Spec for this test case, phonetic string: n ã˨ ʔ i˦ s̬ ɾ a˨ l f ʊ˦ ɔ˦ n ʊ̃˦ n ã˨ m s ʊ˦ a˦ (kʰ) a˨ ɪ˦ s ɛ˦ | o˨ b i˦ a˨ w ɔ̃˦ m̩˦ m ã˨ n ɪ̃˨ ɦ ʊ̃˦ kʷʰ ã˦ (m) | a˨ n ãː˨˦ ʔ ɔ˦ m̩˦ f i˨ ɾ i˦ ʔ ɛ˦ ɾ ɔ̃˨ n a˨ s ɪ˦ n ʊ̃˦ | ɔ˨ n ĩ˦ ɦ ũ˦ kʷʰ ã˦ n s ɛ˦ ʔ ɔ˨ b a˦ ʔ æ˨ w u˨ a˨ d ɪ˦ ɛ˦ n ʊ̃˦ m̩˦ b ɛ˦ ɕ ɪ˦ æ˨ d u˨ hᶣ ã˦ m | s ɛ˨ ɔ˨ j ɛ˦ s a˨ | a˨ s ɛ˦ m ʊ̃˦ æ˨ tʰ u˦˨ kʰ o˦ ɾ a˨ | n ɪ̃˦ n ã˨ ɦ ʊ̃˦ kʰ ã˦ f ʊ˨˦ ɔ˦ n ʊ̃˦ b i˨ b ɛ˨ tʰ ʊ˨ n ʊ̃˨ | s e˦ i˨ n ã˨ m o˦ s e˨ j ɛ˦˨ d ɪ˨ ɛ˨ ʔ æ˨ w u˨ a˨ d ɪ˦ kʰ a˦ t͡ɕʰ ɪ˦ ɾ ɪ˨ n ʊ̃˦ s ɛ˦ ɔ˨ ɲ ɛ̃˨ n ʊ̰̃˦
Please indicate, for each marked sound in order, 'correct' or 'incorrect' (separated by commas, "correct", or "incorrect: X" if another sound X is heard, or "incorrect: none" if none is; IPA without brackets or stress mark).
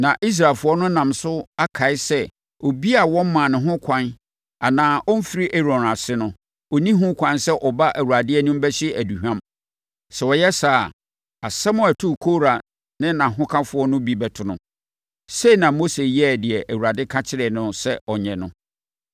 correct, incorrect: n